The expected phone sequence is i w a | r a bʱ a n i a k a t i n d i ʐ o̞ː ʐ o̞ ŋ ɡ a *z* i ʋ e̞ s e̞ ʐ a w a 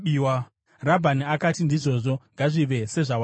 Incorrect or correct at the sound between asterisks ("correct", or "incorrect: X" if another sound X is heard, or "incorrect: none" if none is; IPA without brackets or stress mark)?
incorrect: ʐ